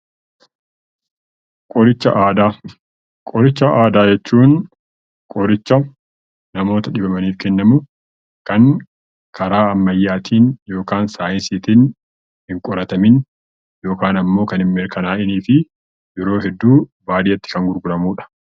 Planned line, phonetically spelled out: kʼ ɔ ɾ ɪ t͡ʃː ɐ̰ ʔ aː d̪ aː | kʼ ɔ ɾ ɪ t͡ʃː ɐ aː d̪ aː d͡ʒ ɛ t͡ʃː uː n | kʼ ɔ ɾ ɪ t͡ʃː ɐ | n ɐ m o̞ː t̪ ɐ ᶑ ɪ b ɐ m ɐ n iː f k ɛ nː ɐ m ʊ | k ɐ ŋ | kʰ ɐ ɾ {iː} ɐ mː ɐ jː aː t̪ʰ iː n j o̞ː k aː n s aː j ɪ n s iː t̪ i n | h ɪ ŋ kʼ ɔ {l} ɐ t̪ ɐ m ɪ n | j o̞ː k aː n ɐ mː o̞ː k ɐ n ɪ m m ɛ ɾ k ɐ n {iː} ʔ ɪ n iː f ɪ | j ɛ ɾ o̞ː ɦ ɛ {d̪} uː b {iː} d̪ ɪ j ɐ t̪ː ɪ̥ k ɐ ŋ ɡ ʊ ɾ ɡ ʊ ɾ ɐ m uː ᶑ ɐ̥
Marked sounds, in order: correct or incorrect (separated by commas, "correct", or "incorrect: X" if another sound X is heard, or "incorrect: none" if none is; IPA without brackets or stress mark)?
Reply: incorrect: aː, incorrect: ɾ, incorrect: aː, incorrect: d̪ː, incorrect: aː